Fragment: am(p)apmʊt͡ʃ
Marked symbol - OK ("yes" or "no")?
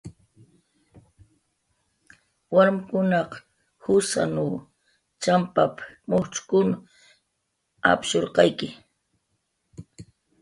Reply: yes